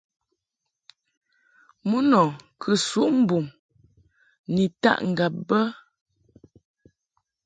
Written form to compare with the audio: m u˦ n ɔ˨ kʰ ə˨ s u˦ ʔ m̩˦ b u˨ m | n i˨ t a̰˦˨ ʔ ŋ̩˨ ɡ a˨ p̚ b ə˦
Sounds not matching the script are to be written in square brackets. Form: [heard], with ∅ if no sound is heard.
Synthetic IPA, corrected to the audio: m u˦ n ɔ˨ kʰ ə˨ s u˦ ʔ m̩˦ b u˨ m | n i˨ t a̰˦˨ ʔ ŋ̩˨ ɡ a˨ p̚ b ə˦